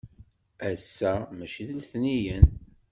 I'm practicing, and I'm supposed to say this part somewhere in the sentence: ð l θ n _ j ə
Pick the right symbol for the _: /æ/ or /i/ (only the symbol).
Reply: i